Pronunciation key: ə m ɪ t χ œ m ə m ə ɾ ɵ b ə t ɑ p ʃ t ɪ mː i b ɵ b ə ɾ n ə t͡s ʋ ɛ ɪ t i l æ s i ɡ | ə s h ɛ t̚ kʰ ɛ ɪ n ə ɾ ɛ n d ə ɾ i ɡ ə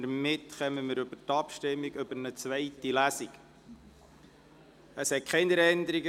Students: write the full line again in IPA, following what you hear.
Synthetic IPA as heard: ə m ɪ t χ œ m ə m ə ɾ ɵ b ə t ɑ p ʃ t ɪ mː i ɡ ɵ b ə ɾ n ə t͡s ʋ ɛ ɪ t i l æ s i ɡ | ə s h ɛ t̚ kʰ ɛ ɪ n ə ɾ ɛ n d ə ɾ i ɡ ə